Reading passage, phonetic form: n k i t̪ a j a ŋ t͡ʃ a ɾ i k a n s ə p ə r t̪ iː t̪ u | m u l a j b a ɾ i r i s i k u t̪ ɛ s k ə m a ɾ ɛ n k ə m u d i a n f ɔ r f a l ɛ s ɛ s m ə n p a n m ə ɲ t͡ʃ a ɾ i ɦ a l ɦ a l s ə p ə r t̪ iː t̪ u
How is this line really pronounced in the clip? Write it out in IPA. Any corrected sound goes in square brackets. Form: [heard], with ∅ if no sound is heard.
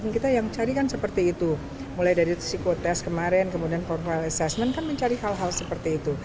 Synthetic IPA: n k i t̪ a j a ŋ t͡ʃ a ɾ i k a n s ə p ə r t̪ iː t̪ u | m u l a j [d] a ɾ i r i s i k [o] t̪ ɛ s k ə m a ɾ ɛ n k ə m u d i a n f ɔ r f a l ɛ s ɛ s m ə n [k] a n m ə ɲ t͡ʃ a ɾ i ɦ a l ɦ a l s ə p ə r t̪ iː t̪ u

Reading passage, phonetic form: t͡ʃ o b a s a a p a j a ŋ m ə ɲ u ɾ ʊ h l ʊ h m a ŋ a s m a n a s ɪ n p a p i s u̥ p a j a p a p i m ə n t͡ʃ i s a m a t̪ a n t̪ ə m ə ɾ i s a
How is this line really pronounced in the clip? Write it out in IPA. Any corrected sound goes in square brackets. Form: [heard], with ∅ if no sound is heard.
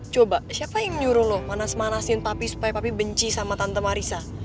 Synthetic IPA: t͡ʃ o b a s [i] a p a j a ŋ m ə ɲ u ɾ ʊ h l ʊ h m a [n] a s m a n a s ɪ n p a p i s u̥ p a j a p a p i [b] ə [ɲ] t͡ʃ i s a m a t̪ a n t̪ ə m [a] ɾ i s a

